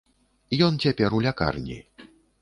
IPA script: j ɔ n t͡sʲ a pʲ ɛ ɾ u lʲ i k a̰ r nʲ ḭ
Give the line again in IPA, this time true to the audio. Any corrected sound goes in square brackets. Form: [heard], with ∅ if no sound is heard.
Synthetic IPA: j ɔ n t͡sʲ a pʲ ɛ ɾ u lʲ [a] k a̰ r nʲ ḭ

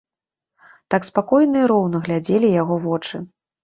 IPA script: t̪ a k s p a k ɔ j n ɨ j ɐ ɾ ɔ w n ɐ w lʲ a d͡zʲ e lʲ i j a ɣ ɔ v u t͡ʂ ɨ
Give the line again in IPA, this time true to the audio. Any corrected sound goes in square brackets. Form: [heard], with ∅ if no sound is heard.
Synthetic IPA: t̪ a k s p a k ɔ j n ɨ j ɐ ɾ ɔ w n ɐ [ɣ] lʲ a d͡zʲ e lʲ i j a ɣ ɔ v [ɔ] t͡ʂ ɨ

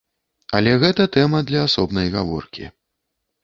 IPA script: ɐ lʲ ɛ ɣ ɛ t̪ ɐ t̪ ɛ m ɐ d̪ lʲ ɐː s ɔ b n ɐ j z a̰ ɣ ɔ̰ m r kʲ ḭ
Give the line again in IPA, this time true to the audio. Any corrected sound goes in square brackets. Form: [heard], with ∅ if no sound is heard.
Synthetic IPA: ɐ lʲ ɛ ɣ ɛ t̪ ɐ t̪ ɛ m ɐ d̪ lʲ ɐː s ɔ b n ɐ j [ɣ] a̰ [v] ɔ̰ [∅] r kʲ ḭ

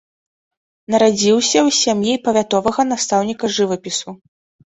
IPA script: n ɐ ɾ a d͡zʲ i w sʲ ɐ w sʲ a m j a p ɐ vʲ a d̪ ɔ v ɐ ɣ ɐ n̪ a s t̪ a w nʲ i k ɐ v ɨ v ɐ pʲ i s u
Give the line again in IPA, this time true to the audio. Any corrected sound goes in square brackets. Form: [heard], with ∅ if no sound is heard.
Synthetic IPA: n ɐ ɾ a d͡zʲ i w sʲ ɐ w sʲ a m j [i] p ɐ vʲ a [t̪] ɔ v ɐ ɣ ɐ n̪ a s t̪ a w nʲ i k ɐ [ʐ] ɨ v ɐ pʲ i s u

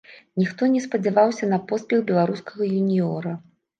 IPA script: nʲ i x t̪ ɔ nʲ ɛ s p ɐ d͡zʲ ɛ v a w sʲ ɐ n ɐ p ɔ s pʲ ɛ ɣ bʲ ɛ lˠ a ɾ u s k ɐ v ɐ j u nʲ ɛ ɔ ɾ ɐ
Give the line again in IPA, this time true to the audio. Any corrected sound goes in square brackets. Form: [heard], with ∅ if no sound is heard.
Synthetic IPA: nʲ i x t̪ ɔ nʲ ɛ s p ɐ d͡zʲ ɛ v a w sʲ ɐ n ɐ p ɔ s pʲ ɛ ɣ bʲ ɛ lˠ a ɾ u s k ɐ [ɣ] ɐ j u nʲ [i] ɔ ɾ ɐ

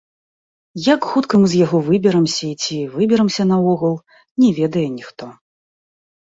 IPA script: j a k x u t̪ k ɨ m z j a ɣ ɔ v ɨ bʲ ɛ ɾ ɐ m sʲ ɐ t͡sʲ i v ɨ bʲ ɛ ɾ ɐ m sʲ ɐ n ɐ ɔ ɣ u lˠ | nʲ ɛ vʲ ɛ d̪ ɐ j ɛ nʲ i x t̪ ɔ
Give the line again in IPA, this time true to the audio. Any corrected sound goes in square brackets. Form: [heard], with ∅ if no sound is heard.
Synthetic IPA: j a k x u t̪ k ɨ m z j a ɣ ɔ v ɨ bʲ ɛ ɾ ɐ m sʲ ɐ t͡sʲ i v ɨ bʲ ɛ ɾ ɐ m sʲ ɐ n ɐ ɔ ɣ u lˠ | nʲ ɛ vʲ ɛ d̪ ɐ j ɛ nʲ i x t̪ ɔ

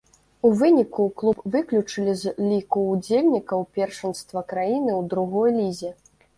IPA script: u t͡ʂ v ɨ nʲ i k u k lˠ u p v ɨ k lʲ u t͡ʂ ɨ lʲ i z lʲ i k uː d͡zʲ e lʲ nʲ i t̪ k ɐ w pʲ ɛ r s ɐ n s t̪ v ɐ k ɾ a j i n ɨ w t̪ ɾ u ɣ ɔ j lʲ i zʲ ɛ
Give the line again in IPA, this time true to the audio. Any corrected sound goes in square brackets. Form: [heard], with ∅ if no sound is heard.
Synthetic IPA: u [∅] v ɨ nʲ i k u k lˠ u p v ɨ k lʲ u t͡ʂ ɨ lʲ i z lʲ i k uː d͡zʲ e lʲ nʲ i [∅] k ɐ w pʲ ɛ r [ʂ] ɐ n s t̪ v ɐ k ɾ a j i n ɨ w [d̪] ɾ u ɣ ɔ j lʲ i zʲ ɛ

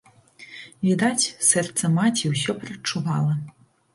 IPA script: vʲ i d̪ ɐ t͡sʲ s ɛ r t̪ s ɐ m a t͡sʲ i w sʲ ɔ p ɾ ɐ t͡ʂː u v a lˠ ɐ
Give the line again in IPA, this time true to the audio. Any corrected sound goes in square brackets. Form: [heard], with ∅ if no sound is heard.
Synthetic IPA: vʲ i d̪ [a] t͡sʲ s ɛ r t̪ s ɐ m a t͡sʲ i w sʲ ɔ p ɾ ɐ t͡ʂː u v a lˠ ɐ

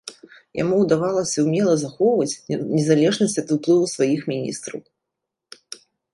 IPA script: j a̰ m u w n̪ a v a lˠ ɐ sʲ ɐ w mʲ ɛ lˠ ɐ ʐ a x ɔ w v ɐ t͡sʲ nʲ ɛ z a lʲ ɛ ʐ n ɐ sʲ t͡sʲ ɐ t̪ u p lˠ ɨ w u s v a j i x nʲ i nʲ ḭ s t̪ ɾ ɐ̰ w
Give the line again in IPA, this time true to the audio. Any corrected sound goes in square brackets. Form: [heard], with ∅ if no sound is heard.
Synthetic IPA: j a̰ m u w [d̪] a v a lˠ ɐ sʲ ɐ w mʲ ɛ lˠ ɐ [z] a x ɔ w v ɐ t͡sʲ nʲ ɛ z a lʲ ɛ ʐ n ɐ sʲ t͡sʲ ɐ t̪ u p lˠ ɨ [v] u s v a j i x [mʲ] i nʲ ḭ s t̪ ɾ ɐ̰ w

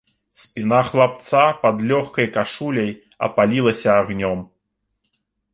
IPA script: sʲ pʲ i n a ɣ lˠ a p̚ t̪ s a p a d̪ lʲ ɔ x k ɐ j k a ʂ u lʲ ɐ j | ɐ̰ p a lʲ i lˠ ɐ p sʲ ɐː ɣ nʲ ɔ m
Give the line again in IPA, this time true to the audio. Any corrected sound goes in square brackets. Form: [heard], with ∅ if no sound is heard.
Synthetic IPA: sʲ pʲ i n a [x] lˠ a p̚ t̪ s a p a d̪ lʲ ɔ x k ɐ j k a ʂ u lʲ ɐ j | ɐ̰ p a lʲ i lˠ ɐ [∅] sʲ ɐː ɣ nʲ ɔ m

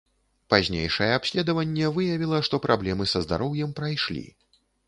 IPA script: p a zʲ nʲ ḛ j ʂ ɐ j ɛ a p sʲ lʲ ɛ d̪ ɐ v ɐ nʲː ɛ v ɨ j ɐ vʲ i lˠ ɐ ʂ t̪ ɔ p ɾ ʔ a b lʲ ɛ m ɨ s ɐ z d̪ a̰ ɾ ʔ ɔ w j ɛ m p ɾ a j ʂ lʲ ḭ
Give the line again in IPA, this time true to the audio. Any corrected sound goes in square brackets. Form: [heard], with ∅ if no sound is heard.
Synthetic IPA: p a zʲ nʲ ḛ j ʂ ɐ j ɛ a p sʲ lʲ ɛ d̪ ɐ v ɐ nʲː ɛ v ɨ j ɐ vʲ i lˠ ɐ ʂ t̪ ɔ p ɾ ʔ a b lʲ ɛ m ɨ s ɐ z d̪ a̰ ɾ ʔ ɔ w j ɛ m p ɾ a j ʂ lʲ ḭ

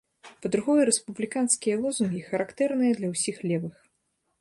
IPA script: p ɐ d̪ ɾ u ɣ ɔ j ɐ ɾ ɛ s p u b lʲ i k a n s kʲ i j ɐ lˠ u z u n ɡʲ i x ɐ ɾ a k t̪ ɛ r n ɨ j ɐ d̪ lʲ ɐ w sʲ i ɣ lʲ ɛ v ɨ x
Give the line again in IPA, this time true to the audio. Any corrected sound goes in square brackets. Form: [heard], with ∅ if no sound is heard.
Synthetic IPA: p ɐ d̪ ɾ u ɣ ɔ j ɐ ɾ ɛ s p u b lʲ i k a n s kʲ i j ɐ lˠ [ɔ] z u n ɡʲ i x ɐ ɾ a k t̪ ɛ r n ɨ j ɐ d̪ lʲ ɐ w sʲ i [x] lʲ ɛ v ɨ x

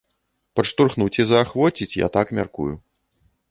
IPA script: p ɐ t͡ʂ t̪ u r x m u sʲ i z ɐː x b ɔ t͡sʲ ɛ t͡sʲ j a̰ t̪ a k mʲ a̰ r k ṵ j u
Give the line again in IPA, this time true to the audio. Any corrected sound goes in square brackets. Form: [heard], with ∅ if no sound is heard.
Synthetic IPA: p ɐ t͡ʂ t̪ u r x [n] u [t͡sʲ] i z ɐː x [v] ɔ t͡sʲ [i] t͡sʲ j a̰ t̪ a k mʲ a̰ r k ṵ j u

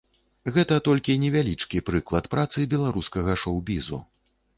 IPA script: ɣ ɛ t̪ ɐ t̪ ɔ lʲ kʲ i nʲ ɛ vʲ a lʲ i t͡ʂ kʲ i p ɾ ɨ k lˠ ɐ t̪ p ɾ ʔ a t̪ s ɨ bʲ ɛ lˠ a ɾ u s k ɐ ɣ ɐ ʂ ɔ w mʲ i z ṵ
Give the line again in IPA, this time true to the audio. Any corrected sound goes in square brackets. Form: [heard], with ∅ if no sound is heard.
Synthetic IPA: ɣ ɛ t̪ ɐ t̪ ɔ lʲ kʲ i nʲ ɛ vʲ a lʲ i t͡ʂ kʲ i p ɾ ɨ k lˠ ɐ t̪ p ɾ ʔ a t̪ s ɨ bʲ ɛ lˠ a ɾ u s k ɐ ɣ ɐ ʂ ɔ w [bʲ] i z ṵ

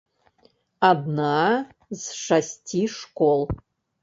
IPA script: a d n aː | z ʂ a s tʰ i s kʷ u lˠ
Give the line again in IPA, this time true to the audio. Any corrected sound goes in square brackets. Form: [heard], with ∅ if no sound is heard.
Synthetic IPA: a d n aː | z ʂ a s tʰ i [ʂ] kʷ [o] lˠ

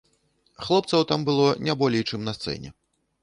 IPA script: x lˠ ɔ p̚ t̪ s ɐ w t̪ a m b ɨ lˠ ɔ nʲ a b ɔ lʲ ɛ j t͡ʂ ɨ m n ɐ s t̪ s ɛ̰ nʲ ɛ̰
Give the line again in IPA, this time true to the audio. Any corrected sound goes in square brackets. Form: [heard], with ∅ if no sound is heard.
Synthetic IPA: x lˠ ɔ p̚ t̪ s ɐ w t̪ a m b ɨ lˠ ɔ nʲ a b ɔ lʲ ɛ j t͡ʂ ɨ m n ɐ s t̪ s ɛ̰ nʲ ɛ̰

